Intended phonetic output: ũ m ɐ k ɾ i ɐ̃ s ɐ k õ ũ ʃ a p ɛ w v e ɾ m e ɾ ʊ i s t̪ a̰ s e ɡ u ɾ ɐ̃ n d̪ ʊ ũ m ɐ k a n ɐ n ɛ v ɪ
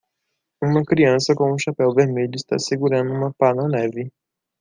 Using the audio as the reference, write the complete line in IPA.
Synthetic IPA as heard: ũ m ɐ k ɾ i ɐ̃ s ɐ k õ ũ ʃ a p ɛ w v e ɾ m e ʎ ʊ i s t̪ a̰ s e ɡ u ɾ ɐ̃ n d̪ ʊ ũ m ɐ p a n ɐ n ɛ v ɪ